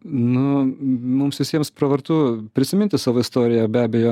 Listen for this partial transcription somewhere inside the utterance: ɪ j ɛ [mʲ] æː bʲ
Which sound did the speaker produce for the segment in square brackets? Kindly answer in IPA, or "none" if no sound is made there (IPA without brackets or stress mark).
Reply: bʲ